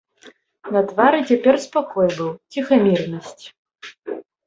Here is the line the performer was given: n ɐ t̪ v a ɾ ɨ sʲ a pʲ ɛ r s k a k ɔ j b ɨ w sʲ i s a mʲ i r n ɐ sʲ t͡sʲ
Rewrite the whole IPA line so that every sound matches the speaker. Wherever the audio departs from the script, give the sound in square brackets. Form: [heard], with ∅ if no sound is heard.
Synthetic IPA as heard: n ɐ t̪ v a ɾ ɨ [t͡sʲ] a pʲ ɛ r s [p] a k ɔ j b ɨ w [t͡sʲ] i [x] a mʲ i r n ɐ sʲ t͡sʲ